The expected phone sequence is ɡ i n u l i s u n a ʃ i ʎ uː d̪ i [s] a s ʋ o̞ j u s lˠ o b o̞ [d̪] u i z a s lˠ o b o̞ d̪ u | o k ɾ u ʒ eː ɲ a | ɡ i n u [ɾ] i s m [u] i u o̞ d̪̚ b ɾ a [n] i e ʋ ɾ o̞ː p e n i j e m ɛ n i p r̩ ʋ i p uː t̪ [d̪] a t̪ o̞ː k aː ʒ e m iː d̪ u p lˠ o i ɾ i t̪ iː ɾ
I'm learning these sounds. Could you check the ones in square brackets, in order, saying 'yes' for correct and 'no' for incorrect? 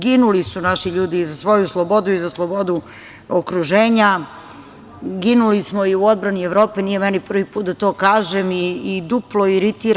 no, yes, no, no, yes, yes

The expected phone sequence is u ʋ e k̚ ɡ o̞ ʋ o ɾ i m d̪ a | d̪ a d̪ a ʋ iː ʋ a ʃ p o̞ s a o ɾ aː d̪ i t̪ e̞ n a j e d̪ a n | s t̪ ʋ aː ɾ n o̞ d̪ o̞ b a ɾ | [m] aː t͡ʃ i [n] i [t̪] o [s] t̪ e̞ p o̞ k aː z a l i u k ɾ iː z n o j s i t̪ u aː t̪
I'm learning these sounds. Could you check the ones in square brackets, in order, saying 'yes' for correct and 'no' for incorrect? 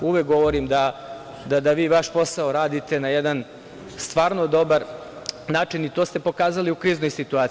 no, yes, yes, yes

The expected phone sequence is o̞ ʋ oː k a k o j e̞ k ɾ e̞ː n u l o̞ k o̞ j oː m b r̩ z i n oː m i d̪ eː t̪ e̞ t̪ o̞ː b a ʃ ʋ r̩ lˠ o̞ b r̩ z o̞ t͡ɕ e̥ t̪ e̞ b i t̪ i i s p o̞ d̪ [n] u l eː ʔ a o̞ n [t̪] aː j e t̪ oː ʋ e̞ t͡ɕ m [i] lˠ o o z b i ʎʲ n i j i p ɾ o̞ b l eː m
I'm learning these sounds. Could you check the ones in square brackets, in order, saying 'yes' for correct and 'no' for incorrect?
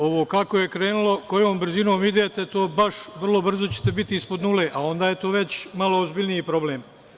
yes, no, no

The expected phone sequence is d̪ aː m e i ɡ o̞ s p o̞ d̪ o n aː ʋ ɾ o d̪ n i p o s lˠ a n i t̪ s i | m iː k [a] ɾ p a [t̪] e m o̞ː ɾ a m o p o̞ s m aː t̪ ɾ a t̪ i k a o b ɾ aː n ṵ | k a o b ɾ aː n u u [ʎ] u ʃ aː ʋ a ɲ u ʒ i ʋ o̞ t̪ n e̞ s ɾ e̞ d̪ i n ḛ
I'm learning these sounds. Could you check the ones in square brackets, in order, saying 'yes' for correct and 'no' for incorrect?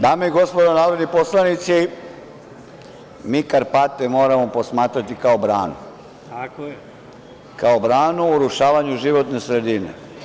yes, yes, no

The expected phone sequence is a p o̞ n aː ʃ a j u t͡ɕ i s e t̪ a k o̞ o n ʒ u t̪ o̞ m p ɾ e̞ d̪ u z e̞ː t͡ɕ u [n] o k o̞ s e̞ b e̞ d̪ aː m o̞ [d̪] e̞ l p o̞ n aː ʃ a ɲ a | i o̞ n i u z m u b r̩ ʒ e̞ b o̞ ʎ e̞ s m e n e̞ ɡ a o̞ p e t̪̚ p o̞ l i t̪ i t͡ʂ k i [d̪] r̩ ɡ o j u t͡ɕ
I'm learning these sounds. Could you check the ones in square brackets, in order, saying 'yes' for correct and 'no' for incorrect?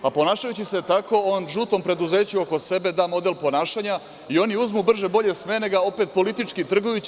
no, yes, no

